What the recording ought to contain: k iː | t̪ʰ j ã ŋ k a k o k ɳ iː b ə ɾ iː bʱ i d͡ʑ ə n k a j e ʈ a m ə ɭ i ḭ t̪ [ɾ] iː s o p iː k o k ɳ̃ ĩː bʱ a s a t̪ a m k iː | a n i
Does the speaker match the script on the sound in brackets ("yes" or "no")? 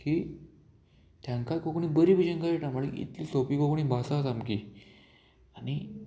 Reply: no